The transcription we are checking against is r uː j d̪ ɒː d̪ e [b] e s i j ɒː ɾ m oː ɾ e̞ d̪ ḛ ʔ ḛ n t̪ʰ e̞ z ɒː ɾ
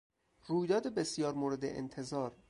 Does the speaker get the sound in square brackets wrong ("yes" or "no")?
no